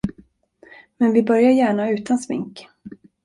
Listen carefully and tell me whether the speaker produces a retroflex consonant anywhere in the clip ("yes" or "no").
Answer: yes